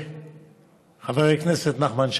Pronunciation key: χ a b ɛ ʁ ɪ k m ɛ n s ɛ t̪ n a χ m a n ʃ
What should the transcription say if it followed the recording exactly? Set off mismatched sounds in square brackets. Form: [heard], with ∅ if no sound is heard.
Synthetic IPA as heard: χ a [v] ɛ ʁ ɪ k [n] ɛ [∅] s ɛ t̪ n a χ m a n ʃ